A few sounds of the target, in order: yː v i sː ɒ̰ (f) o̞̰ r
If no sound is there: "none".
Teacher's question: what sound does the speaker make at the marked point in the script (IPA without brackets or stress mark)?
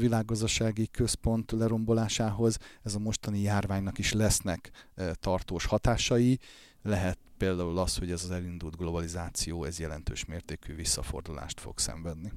f